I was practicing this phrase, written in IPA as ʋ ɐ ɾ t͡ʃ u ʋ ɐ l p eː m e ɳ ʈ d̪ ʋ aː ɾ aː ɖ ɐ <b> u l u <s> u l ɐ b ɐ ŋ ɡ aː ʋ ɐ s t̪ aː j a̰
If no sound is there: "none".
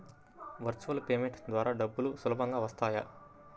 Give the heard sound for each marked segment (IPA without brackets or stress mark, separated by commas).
bː, s